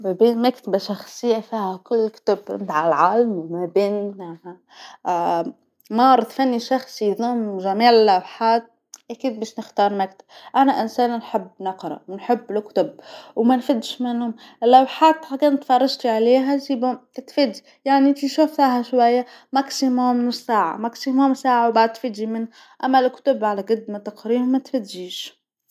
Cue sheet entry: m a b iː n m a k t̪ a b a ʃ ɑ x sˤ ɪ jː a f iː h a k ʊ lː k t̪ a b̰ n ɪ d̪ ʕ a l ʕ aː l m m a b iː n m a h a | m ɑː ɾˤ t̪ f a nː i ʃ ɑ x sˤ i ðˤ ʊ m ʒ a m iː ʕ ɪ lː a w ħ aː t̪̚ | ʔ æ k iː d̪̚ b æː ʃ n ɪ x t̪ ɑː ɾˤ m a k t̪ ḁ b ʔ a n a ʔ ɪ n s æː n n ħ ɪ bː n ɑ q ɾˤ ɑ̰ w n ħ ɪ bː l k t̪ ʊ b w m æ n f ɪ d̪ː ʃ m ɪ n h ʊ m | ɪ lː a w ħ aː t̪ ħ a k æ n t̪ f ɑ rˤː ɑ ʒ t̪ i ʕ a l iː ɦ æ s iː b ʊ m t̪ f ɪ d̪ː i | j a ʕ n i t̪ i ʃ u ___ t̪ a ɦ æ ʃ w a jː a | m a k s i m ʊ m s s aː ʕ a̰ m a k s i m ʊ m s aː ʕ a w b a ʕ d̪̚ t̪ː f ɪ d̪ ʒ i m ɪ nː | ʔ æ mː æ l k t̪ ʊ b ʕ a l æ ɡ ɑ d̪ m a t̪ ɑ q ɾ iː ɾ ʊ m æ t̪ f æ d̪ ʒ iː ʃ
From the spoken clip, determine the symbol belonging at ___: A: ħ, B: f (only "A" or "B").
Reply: B